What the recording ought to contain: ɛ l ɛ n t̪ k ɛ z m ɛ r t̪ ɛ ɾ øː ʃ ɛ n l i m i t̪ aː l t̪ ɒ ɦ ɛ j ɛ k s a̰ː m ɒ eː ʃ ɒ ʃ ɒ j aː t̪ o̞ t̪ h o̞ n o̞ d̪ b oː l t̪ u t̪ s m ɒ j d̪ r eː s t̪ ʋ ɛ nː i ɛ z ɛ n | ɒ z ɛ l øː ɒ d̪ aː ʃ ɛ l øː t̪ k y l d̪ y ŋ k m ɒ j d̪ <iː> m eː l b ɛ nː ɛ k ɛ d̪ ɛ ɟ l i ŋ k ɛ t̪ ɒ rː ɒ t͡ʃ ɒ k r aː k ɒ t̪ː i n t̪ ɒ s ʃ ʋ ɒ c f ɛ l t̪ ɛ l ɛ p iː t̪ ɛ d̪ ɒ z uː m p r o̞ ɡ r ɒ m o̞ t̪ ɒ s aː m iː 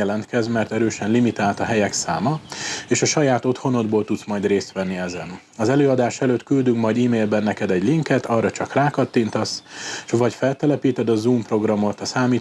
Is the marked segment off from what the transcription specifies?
no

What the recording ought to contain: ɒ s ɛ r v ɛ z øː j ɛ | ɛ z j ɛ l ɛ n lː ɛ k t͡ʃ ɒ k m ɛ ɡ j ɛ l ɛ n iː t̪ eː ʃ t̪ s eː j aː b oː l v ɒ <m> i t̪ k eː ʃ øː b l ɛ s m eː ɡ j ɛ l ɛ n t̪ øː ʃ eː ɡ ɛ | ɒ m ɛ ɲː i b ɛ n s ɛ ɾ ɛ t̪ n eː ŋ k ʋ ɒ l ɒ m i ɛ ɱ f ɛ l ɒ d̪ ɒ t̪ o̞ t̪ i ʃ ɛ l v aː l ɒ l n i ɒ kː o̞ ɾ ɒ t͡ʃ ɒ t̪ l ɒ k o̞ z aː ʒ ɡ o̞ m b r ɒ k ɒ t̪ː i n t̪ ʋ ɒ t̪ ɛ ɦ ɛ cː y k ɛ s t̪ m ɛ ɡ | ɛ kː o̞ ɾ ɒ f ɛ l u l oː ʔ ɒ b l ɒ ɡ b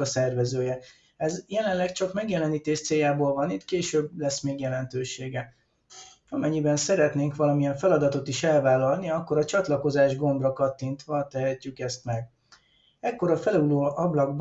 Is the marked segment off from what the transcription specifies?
yes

